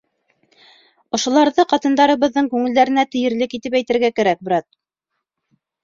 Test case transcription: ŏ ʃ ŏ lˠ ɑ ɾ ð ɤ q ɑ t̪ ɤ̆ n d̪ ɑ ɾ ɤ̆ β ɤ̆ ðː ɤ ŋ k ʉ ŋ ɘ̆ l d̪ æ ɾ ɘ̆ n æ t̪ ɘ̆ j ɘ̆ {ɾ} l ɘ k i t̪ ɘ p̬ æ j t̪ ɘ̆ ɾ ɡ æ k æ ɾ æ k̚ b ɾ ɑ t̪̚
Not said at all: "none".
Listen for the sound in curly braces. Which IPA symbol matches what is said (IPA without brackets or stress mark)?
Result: ɾ